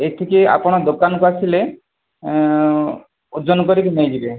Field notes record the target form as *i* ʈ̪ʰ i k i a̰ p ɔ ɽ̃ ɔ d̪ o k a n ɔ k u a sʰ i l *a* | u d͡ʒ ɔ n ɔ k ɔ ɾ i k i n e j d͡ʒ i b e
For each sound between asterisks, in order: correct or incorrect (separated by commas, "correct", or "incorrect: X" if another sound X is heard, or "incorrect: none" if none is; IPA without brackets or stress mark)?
incorrect: e, incorrect: e